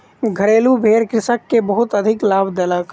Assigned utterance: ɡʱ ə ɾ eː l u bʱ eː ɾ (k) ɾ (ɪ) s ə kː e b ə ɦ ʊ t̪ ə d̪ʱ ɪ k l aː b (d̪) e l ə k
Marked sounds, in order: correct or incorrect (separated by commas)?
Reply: correct, correct, correct